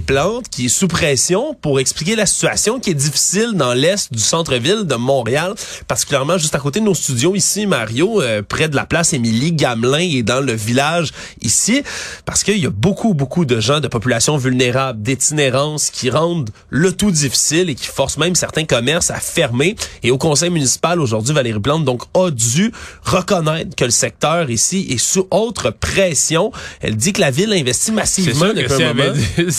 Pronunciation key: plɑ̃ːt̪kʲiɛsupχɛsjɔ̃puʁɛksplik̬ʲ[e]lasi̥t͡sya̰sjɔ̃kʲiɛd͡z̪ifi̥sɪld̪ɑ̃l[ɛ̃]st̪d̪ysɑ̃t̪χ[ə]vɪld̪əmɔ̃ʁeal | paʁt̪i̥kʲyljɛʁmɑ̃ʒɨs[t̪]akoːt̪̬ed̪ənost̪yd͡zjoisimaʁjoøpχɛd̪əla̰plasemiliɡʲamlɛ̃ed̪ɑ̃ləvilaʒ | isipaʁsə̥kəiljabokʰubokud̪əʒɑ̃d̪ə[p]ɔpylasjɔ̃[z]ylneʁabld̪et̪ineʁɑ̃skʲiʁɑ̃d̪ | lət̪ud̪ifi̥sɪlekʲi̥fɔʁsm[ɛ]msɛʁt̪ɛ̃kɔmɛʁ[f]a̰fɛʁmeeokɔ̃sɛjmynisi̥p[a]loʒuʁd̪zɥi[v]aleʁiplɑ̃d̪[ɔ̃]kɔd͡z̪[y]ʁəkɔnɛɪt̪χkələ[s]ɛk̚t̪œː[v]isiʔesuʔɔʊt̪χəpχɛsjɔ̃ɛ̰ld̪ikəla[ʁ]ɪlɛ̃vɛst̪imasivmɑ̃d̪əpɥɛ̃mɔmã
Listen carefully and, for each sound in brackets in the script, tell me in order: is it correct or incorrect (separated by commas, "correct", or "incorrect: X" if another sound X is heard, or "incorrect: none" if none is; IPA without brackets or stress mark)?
correct, incorrect: ɛ, correct, correct, correct, incorrect: v, incorrect: ɛ̃, incorrect: s, correct, correct, correct, correct, correct, incorrect: ʁ, incorrect: v